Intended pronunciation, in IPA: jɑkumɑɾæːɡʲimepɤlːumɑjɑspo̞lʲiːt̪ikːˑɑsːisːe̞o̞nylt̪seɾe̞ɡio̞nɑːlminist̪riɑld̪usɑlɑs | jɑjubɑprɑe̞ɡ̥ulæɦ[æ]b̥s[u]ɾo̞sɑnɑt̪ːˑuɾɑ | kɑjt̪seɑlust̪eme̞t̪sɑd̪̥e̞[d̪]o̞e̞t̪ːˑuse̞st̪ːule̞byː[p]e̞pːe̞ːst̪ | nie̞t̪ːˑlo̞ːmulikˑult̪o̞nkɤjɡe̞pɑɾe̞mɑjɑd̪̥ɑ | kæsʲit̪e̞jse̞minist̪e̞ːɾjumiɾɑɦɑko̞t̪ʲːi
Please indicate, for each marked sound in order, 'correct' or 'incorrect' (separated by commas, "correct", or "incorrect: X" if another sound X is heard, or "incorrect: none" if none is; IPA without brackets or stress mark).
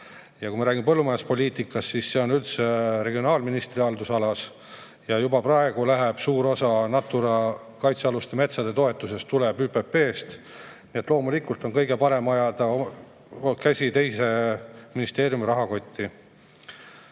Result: incorrect: e, incorrect: uː, incorrect: t̪, correct